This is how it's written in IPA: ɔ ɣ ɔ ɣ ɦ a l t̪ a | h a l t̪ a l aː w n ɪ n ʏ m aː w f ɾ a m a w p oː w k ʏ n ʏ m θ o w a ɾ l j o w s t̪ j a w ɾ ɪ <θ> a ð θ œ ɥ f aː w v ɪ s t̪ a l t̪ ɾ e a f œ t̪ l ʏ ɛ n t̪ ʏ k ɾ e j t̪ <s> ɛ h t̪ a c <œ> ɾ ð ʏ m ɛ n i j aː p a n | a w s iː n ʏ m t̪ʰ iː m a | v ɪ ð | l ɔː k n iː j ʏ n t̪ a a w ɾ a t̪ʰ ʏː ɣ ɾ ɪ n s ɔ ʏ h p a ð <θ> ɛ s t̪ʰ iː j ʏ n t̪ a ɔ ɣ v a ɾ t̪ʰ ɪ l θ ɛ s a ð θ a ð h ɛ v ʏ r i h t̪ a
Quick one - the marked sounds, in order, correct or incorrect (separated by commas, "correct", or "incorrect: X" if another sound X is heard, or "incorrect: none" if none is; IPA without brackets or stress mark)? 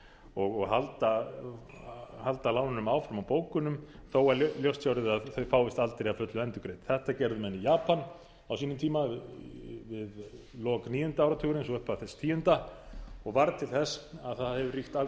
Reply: incorrect: ð, incorrect: θ, incorrect: ɛ, correct